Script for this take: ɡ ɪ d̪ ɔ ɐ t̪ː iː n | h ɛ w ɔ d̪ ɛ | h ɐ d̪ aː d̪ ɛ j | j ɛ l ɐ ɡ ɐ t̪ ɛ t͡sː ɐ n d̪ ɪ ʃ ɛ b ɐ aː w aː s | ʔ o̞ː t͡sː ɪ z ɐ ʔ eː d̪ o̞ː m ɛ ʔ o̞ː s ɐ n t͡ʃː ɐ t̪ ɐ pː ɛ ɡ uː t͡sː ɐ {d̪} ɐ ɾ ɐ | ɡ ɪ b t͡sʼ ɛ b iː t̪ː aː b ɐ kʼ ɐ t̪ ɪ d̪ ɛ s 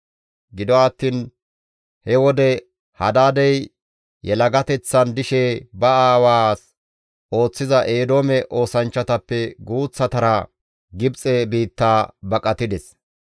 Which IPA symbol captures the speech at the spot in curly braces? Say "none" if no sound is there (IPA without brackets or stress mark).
t̪